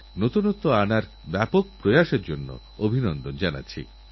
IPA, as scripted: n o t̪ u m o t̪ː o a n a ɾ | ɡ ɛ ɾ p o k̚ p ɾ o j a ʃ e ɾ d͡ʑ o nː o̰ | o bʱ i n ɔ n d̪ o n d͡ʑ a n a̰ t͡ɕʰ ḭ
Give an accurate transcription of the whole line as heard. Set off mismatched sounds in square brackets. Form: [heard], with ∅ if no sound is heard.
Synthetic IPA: n o t̪ u [n] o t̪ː o a n a ɾ | [b] ɛ [∅] p o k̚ p ɾ o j a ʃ e ɾ d͡ʑ o nː o̰ | o bʱ i n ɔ n d̪ o n d͡ʑ a n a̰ t͡ɕʰ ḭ